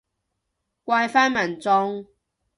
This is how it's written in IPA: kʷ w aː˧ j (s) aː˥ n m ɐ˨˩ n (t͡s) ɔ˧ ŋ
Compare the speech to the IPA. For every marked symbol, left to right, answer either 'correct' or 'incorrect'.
incorrect: f, correct

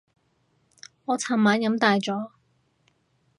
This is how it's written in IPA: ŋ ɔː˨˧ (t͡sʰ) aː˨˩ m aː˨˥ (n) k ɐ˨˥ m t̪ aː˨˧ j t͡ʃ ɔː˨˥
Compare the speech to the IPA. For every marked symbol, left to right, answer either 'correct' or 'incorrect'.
correct, correct

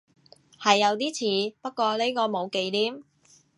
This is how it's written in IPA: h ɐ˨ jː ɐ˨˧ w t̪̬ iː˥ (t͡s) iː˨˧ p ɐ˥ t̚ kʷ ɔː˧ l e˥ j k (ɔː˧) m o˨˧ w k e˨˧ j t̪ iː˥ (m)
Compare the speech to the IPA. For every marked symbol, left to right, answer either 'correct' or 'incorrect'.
incorrect: t͡sʰ, correct, correct

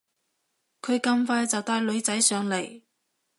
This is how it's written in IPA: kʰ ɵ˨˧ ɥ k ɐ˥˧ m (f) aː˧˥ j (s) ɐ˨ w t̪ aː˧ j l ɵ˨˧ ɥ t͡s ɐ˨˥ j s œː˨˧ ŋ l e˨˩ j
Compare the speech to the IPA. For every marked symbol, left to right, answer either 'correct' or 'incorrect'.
correct, incorrect: t͡s

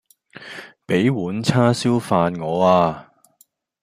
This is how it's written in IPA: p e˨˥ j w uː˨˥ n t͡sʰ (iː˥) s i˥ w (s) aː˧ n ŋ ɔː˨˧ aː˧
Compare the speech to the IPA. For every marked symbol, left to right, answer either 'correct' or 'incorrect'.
incorrect: aː˥, incorrect: f

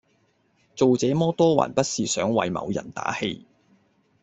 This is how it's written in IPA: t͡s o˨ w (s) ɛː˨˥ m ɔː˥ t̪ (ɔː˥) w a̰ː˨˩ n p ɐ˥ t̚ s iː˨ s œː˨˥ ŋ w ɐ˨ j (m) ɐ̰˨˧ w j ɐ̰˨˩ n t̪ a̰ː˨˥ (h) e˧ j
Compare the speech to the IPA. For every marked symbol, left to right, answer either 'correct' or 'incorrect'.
incorrect: t͡s, correct, correct, correct

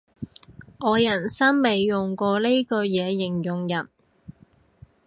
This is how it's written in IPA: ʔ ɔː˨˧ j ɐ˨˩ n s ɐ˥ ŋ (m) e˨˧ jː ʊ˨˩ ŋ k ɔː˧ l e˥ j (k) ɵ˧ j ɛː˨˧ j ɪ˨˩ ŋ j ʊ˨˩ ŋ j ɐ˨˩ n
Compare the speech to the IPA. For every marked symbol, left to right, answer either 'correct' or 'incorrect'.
correct, correct

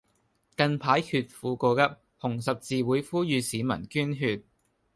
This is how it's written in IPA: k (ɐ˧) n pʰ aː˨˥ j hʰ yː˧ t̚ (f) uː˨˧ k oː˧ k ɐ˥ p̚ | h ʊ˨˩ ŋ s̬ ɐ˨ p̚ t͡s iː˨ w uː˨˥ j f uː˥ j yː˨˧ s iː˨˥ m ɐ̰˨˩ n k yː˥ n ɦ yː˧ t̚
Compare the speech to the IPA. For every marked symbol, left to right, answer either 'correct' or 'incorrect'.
correct, correct

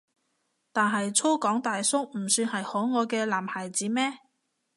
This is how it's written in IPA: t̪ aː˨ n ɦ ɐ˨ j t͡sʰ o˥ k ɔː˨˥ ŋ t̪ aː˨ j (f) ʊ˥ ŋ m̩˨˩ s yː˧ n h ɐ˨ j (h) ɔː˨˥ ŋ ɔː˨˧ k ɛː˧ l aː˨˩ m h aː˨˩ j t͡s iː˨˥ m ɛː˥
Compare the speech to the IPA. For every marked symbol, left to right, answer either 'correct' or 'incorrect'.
incorrect: s, correct

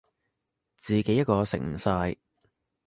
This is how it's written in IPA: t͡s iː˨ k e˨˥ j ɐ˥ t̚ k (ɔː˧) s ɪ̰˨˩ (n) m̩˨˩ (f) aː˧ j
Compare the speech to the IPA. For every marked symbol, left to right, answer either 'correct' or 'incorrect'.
correct, incorrect: ŋ, incorrect: s

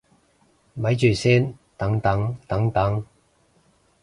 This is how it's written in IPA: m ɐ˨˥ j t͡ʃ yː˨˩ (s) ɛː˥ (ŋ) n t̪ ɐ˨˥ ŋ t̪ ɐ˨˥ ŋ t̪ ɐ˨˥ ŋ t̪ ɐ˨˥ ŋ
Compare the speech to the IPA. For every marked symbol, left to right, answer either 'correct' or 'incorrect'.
correct, incorrect: none

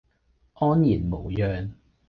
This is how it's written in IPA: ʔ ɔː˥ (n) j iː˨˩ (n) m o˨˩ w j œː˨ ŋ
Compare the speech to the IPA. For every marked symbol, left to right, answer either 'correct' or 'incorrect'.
correct, correct

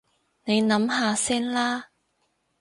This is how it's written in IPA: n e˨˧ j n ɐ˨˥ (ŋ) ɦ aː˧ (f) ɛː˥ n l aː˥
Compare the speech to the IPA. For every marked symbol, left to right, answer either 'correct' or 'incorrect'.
incorrect: m, incorrect: s

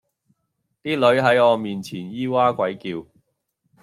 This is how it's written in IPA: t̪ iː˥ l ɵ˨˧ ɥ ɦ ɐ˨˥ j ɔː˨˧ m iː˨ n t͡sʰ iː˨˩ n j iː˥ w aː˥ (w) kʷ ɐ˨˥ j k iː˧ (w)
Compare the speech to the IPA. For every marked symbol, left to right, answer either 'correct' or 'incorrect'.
incorrect: none, correct

